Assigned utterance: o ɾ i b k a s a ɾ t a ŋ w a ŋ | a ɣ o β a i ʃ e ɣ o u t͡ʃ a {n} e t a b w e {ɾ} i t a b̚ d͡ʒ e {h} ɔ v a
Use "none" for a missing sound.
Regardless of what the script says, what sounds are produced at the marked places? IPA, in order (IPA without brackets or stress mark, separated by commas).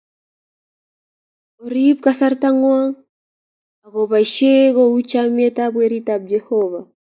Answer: m, ɾ, h